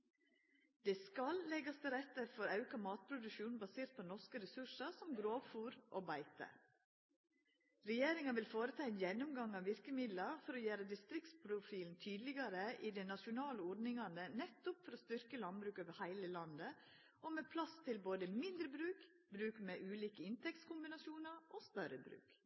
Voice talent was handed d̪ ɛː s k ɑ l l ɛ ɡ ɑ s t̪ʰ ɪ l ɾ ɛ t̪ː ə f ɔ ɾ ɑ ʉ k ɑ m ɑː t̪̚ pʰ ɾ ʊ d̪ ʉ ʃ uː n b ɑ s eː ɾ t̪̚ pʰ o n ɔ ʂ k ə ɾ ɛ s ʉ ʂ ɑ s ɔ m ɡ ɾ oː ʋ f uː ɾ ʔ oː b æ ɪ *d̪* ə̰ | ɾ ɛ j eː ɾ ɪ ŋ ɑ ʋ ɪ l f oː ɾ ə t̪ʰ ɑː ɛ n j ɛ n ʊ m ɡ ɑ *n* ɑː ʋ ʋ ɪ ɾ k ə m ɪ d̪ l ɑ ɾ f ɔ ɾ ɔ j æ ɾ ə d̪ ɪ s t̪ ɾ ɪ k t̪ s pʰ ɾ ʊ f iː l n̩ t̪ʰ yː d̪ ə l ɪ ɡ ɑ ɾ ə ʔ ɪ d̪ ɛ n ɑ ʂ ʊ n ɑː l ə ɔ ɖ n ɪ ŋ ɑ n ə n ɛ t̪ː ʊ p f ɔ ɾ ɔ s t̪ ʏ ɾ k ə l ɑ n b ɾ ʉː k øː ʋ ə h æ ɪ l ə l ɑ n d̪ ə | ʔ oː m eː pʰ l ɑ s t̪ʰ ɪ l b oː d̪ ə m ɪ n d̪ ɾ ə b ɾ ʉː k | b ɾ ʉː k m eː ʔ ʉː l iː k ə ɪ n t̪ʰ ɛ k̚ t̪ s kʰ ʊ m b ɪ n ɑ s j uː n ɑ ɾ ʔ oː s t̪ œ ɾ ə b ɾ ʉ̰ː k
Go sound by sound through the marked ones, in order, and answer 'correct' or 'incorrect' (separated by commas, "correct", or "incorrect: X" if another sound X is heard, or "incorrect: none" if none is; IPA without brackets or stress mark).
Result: incorrect: t̪, incorrect: ŋ